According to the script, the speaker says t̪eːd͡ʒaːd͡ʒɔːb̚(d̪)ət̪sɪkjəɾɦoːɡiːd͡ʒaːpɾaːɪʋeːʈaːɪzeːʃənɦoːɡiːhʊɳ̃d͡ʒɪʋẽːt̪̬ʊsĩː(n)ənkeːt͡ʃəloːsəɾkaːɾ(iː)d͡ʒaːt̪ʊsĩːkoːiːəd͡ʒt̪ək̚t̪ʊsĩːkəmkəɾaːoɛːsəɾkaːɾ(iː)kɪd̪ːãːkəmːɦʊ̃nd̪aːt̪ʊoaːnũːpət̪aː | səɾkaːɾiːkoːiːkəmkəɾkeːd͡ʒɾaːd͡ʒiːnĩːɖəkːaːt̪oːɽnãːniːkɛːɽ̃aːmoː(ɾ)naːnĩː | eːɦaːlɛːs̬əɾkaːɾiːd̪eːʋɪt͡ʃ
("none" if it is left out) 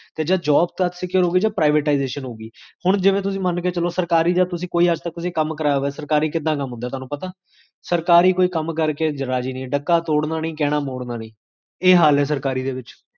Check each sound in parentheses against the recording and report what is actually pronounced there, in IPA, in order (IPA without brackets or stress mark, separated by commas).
t̪, m, iː, iː, ɽ